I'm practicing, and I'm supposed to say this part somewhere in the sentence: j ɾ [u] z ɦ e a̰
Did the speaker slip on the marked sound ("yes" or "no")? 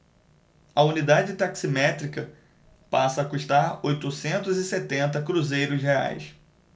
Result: yes